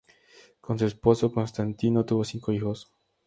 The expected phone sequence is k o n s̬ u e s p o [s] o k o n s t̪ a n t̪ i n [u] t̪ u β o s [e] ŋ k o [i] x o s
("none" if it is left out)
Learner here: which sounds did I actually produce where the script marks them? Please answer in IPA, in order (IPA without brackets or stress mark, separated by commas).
s, o, i, i